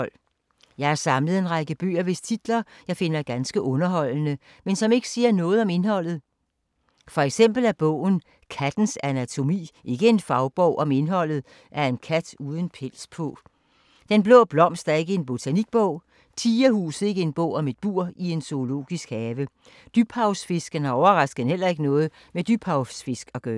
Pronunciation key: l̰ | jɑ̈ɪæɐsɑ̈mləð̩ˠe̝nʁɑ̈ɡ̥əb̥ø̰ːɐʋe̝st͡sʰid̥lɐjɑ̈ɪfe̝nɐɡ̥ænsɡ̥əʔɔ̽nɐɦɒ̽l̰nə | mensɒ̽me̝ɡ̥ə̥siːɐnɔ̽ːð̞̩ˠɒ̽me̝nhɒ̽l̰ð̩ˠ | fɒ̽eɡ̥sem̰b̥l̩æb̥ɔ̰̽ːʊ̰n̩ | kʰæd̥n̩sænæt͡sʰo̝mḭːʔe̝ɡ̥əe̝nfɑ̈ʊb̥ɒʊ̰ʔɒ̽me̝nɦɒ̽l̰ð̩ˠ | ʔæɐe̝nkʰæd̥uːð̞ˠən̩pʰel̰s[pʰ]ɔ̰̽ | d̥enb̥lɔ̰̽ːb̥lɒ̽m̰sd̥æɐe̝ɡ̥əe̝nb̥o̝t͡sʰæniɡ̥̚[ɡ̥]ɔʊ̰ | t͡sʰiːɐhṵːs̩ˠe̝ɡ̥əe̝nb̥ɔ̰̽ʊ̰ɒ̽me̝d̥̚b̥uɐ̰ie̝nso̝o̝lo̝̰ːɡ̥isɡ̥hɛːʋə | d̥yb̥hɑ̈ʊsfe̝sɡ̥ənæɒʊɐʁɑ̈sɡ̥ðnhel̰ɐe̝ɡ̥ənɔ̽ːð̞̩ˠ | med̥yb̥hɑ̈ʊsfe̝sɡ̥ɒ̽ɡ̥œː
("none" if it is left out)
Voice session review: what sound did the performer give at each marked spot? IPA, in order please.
pʰ, b̥

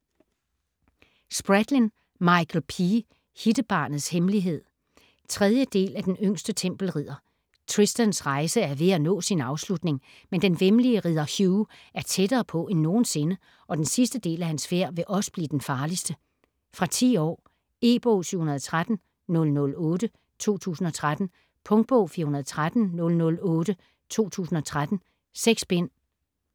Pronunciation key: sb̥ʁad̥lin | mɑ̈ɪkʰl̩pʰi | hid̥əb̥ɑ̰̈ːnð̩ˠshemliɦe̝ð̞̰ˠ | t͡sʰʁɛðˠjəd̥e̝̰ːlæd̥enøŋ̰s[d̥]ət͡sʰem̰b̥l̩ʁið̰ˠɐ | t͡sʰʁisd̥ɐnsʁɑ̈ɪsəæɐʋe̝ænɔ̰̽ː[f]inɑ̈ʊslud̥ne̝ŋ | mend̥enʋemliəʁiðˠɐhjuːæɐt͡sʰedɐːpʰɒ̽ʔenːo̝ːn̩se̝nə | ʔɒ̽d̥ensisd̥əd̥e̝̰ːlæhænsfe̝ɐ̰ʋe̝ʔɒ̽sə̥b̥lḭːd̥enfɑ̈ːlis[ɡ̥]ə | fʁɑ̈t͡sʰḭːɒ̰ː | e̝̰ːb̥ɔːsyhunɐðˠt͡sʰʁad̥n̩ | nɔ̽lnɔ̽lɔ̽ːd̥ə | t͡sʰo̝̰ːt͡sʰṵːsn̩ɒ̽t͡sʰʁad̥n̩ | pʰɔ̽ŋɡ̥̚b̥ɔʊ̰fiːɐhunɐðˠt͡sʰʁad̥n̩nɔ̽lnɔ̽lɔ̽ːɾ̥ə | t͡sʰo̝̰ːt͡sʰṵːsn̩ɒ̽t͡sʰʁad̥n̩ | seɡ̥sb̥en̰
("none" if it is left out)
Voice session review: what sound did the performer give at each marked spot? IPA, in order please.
d̥, s, d̥

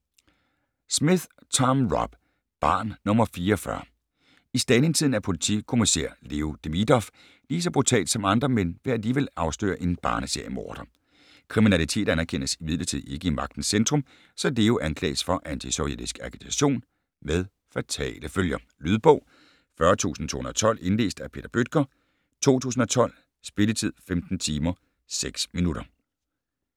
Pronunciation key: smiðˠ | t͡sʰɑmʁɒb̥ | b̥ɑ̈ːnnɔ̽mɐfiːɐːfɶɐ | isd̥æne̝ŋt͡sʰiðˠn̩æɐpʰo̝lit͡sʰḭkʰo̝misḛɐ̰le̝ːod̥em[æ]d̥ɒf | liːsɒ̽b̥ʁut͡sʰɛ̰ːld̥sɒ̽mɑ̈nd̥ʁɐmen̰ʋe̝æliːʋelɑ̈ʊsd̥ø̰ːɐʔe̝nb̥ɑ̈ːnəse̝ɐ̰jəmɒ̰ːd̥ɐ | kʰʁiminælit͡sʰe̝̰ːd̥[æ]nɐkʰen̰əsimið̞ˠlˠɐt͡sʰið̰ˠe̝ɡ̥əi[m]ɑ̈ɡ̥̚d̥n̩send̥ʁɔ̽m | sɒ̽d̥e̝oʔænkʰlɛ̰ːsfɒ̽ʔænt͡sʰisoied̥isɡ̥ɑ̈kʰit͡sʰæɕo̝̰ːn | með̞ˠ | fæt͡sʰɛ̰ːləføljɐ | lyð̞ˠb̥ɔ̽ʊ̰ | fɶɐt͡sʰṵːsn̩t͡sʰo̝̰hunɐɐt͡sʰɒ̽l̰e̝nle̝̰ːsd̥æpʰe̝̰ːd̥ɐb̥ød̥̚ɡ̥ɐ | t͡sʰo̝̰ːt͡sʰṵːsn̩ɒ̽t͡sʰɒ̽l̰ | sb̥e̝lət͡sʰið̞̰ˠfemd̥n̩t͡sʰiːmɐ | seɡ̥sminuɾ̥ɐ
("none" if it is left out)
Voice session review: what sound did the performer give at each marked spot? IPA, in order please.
i, æ, m

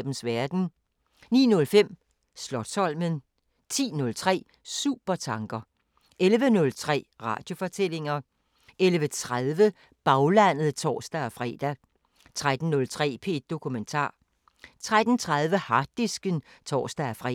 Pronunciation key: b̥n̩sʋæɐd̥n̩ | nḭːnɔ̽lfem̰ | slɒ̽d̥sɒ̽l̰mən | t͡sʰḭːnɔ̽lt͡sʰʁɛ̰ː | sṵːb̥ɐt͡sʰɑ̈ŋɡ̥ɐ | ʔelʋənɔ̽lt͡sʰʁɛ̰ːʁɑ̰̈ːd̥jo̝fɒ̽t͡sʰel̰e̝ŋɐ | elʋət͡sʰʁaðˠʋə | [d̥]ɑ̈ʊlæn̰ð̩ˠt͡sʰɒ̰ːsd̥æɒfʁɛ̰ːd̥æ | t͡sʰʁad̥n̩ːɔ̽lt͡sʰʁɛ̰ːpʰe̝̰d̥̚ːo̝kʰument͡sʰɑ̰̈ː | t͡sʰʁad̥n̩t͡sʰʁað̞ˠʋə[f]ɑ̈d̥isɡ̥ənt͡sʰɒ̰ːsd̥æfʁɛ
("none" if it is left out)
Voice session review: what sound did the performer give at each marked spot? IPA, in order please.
b̥, h

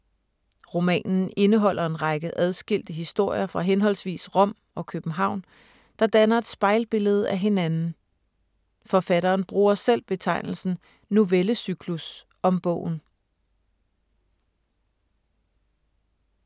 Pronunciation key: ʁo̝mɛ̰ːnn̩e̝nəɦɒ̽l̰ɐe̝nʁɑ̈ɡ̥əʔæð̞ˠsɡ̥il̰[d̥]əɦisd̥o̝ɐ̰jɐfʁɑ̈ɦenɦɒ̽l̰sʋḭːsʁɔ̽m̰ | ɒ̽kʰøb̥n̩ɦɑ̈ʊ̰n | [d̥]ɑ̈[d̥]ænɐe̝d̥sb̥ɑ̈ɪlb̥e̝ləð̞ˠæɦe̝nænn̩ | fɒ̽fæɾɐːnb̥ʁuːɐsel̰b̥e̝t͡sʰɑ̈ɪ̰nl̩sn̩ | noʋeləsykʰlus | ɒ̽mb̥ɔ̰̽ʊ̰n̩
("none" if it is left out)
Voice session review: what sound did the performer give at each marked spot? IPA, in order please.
d̥, d̥, d̥

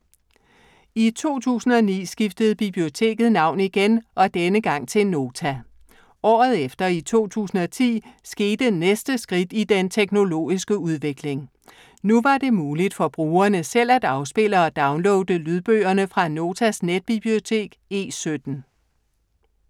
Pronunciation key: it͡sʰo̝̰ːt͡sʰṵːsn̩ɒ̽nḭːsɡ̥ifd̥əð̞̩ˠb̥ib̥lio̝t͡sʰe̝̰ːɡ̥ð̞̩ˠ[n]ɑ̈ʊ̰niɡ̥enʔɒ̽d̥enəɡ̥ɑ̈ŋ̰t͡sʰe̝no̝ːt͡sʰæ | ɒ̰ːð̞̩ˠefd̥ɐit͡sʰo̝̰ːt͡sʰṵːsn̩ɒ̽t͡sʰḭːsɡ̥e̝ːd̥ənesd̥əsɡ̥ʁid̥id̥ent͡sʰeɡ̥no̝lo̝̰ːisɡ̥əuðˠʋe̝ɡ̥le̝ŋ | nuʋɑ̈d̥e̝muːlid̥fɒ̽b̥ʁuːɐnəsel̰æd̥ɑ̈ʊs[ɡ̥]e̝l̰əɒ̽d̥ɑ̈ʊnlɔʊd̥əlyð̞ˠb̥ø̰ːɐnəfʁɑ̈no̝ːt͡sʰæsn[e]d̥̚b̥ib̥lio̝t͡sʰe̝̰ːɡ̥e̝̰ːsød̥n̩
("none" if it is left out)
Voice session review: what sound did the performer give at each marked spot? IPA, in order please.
n, b̥, e

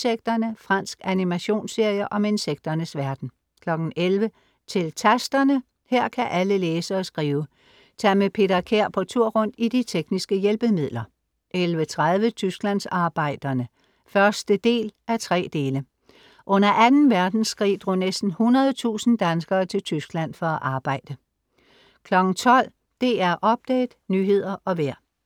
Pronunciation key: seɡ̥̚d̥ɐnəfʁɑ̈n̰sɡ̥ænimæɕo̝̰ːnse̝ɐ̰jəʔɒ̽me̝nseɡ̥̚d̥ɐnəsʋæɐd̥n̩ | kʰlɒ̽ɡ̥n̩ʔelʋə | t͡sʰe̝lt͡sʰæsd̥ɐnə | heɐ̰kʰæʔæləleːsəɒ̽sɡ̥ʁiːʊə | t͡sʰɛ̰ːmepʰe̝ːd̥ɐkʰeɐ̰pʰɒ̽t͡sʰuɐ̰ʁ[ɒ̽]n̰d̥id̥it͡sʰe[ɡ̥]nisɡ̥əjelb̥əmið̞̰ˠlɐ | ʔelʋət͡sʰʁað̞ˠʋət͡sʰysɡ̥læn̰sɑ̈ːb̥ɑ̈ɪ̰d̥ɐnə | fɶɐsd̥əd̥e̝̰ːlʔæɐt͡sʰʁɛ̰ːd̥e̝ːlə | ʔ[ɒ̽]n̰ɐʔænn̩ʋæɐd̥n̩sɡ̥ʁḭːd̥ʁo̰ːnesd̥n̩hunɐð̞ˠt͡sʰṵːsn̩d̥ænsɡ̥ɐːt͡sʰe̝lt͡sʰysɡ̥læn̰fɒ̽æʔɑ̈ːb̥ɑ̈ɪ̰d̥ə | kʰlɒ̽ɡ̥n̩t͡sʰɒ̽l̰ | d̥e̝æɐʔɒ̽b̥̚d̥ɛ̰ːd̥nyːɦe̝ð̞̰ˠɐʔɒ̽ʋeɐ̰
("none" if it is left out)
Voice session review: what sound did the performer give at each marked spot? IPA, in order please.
ɔ̽, ɡ̥, ɔ̽

